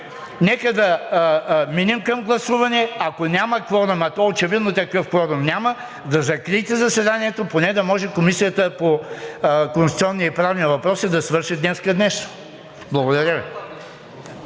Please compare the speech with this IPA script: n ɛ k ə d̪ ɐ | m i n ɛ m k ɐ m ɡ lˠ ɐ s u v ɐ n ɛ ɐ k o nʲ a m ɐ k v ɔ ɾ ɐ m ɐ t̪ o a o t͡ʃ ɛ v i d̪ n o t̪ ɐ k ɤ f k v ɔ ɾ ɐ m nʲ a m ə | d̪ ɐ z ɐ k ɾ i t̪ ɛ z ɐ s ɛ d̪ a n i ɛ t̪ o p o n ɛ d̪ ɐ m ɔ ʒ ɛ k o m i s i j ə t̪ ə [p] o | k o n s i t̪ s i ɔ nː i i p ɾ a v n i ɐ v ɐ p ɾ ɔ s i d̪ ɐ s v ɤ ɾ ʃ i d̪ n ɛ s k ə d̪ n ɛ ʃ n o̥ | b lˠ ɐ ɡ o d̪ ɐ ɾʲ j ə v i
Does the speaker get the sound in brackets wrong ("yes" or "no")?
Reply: no